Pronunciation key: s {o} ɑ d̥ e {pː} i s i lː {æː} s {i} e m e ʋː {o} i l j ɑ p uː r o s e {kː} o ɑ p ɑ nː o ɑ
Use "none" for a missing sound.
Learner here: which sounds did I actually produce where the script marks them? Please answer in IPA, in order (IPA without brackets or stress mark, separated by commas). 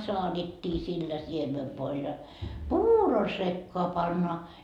o, tː, æ, i, o, kː